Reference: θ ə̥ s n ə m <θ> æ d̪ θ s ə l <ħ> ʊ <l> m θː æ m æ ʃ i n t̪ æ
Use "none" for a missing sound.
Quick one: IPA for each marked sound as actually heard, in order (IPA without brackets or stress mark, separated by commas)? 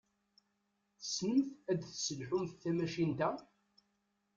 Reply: θ, ħ, none